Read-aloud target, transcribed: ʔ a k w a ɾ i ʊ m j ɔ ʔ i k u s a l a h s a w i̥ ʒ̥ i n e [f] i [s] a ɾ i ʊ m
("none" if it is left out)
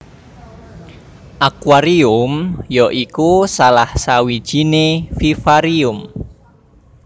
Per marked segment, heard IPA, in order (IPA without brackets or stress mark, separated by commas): f, f